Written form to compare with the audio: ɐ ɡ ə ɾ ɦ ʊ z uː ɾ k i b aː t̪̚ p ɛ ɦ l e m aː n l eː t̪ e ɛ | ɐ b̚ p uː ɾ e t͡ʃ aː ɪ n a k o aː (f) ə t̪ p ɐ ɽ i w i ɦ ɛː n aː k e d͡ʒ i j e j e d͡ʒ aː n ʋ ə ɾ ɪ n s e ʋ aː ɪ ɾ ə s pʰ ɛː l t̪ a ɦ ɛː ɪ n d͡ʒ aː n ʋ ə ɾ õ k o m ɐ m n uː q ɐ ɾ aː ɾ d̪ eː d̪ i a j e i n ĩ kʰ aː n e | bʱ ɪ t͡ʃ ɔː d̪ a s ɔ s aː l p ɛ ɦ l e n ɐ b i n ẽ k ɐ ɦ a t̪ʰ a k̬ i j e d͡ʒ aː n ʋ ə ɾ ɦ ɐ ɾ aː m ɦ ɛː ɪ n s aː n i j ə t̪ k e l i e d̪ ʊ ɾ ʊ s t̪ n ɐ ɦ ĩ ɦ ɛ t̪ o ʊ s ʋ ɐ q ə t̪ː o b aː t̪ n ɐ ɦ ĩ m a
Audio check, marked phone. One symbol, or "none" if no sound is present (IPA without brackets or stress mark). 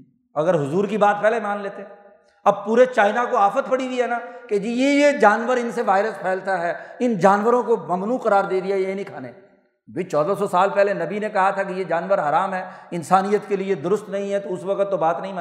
f